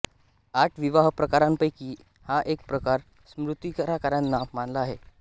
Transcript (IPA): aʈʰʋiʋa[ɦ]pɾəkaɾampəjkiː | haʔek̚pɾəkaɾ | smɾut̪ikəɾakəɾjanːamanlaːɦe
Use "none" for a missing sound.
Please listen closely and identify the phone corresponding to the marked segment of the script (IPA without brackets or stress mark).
ɦ